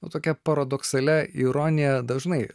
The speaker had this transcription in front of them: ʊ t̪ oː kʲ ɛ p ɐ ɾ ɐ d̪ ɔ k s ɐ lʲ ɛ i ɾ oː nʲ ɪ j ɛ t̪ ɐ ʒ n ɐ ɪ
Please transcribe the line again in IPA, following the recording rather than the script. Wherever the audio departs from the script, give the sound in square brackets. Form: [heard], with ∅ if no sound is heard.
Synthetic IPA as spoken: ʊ t̪ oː kʲ ɛ p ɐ ɾ ɐ d̪ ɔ k s ɐ lʲ ɛ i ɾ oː nʲ ɪ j ɛ [d̪] ɐ ʒ n ɐ ɪ